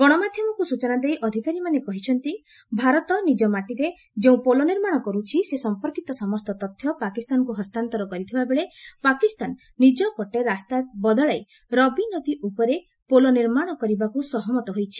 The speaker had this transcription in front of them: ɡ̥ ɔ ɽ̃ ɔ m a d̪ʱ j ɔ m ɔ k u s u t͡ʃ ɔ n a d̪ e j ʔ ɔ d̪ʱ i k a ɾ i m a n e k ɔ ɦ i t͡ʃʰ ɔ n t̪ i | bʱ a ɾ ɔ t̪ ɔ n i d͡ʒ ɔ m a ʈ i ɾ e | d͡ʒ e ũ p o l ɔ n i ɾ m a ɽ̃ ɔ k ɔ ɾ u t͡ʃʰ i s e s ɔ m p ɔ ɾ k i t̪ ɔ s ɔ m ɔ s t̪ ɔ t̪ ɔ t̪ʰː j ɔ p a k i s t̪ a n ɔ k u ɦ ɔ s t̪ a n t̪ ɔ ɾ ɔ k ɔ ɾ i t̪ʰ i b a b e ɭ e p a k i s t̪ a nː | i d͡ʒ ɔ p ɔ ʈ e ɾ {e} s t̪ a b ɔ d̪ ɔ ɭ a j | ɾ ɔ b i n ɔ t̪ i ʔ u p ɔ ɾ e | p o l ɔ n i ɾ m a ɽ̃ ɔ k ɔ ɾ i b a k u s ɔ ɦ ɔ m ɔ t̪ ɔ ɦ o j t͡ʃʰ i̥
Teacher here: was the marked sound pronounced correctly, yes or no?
no